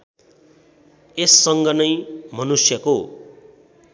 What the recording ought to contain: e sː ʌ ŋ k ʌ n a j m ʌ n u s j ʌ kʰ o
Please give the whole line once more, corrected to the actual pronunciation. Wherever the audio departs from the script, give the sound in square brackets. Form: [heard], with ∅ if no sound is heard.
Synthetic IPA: e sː ʌ ŋ [ɡ] ʌ n [ʌ] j m ʌ n u s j ʌ [k] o